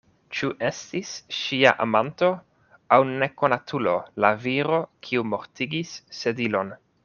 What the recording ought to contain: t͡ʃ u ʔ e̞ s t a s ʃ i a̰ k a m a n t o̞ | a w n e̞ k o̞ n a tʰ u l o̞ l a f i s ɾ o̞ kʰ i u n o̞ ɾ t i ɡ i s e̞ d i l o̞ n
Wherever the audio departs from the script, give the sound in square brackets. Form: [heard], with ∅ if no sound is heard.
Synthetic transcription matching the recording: t͡ʃ u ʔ e̞ s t [i] s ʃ i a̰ [ʔ] a m a n t o̞ | a w n e̞ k o̞ n a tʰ u l o̞ l a [v] i [∅] ɾ o̞ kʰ i u [m] o̞ ɾ t i ɡ i [sː] e̞ d i l o̞ n